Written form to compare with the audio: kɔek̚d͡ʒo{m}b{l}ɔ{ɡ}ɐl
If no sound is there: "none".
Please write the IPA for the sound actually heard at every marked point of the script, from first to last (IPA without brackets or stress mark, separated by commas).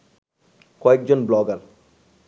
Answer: n, l, ɡ